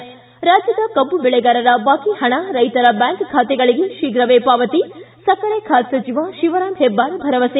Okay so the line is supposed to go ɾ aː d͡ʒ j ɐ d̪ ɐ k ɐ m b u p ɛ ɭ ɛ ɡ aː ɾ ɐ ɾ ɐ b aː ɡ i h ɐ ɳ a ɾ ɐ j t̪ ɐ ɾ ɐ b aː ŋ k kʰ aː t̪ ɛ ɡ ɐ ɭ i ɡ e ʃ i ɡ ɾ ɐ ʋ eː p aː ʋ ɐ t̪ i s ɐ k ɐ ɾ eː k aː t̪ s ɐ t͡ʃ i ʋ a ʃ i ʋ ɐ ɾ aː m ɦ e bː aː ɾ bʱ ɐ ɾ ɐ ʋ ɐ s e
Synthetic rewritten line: ɾ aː d͡ʒ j ɐ d̪ ɐ k ɐ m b u b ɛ ɭ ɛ ɡ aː ɾ ɐ ɾ ɐ b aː k i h ɐ ɳ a ɾ ɐ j t̪ ɐ ɾ ɐ b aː ŋ k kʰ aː t̪ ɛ ɡ ɐ ɭ i ɡ e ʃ i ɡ ɾ ɐ ʋ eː p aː ʋ ɐ t̪ i s ɐ k ɐ ɾ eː kʰ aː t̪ s ɐ t͡ʃ i ʋ a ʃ i ʋ ɐ ɾ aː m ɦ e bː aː ɾ bʱ ɐ ɾ ɐ ʋ ɐ s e